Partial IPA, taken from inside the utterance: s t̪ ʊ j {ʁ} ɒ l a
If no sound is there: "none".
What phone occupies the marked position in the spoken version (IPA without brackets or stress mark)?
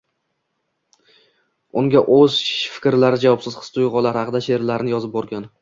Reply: ʁ